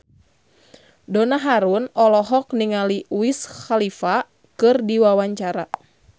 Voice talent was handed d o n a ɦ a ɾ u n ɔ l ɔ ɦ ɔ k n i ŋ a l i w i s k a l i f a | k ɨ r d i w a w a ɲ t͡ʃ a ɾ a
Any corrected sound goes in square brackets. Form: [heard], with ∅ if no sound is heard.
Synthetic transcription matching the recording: d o n a ɦ a ɾ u n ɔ l ɔ ɦ ɔ k n i ŋ a l i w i s [x] a l i f a | k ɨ r d i w a w a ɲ t͡ʃ a ɾ a